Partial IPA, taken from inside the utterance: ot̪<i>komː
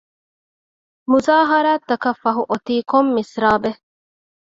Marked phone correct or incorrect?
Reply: incorrect